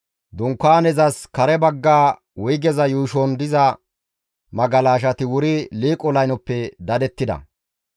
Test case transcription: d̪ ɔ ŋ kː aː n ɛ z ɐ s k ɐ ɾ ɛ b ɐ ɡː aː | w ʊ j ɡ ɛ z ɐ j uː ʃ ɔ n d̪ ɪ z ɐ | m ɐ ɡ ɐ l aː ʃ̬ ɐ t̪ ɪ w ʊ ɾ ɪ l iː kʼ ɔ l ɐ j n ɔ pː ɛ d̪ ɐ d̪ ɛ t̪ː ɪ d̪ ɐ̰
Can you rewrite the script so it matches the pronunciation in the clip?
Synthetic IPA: d̪ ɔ ŋ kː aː n ɛ z ɐ s k ɐ ɾ ɛ b ɐ ɡː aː | w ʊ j ɡ ɛ z ɐ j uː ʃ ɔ n d̪ ɪ z ɐ | m ɐ ɡ ɐ l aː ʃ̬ ɐ t̪ ɪ w ʊ ɾ ɪ l iː kʼ ɔ l ɐ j n ɔ pː ɛ d̪ ɐ d̪ ɛ t̪ː ɪ d̪ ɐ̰